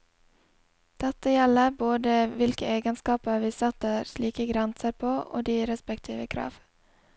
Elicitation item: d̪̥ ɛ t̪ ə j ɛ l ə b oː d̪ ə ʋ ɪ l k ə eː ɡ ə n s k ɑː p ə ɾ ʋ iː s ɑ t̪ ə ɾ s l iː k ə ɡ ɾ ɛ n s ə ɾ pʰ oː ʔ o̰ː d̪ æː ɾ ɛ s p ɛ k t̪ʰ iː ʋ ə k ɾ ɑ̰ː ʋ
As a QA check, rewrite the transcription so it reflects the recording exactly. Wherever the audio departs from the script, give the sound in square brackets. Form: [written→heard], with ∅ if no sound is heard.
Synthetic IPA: d̪̥ ɛ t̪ ə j ɛ l ə b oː d̪ ə ʋ ɪ l k ə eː ɡ ə n s k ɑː p ə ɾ ʋ iː s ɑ t̪ ə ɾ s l iː k ə ɡ ɾ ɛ n s ə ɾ pʰ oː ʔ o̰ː d̪ [æː→iː] ɾ ɛ s p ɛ k t̪ʰ iː ʋ ə [k→kʰ] ɾ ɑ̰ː ʋ